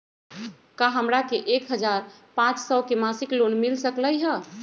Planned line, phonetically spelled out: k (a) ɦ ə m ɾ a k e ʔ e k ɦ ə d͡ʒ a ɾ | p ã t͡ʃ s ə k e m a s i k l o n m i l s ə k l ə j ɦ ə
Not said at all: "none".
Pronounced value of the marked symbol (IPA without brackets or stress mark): a